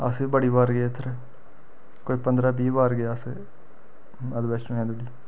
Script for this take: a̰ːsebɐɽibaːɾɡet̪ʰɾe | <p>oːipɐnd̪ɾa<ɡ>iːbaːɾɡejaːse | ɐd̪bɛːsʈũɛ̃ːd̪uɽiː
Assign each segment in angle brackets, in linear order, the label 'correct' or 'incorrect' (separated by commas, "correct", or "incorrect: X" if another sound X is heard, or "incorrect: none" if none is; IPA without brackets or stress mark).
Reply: incorrect: k, incorrect: b